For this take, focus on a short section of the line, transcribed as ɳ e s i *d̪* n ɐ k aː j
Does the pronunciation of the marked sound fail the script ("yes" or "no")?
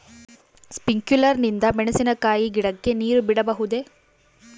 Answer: yes